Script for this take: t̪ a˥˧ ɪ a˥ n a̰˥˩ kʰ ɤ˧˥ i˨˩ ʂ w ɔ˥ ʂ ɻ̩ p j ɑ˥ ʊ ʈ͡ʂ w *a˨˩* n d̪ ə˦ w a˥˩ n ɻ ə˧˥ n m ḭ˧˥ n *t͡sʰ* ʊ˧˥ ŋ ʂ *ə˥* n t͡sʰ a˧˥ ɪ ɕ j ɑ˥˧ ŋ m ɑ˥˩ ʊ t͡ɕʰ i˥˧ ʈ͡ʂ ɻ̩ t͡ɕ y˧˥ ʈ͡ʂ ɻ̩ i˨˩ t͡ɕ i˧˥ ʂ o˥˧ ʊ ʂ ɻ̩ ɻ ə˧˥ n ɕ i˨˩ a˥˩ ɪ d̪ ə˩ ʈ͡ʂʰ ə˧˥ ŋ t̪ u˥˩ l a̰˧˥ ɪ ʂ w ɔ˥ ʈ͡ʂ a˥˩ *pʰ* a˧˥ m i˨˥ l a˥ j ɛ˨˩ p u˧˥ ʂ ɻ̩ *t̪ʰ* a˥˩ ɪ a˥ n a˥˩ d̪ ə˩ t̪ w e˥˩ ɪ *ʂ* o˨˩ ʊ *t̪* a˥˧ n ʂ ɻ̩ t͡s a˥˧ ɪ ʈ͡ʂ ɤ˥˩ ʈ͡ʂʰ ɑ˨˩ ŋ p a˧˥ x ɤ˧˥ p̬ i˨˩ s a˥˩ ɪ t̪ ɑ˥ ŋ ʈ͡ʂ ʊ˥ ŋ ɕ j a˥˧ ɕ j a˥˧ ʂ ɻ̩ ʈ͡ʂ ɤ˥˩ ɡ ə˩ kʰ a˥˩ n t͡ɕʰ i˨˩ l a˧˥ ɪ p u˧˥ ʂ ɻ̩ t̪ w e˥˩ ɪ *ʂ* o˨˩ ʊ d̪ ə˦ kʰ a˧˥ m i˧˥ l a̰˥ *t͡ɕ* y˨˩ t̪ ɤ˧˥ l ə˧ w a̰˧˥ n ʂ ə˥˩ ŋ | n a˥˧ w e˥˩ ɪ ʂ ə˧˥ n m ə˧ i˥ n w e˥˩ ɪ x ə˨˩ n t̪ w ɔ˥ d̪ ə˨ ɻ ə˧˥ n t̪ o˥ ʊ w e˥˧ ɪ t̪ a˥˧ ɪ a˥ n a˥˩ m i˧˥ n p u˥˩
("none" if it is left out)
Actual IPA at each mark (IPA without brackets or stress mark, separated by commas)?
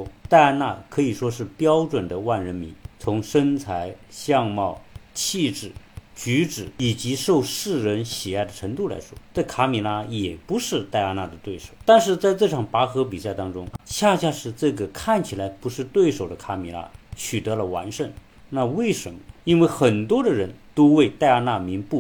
ə˨˩, t͡sʰ, ə˥, kʰ, t̪, ʂ, t̪, ʂ, t͡ɕʰ